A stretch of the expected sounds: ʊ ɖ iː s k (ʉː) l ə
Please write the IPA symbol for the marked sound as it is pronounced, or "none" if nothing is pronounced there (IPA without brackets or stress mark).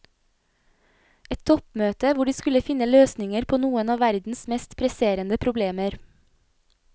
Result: ʉ